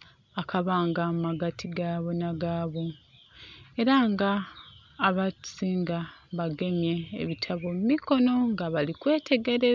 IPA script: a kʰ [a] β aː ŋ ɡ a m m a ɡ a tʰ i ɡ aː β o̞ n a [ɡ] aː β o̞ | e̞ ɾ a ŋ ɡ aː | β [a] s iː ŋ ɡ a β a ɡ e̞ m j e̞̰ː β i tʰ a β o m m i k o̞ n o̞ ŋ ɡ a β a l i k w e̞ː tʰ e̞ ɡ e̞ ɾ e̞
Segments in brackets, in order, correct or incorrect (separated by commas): correct, correct, correct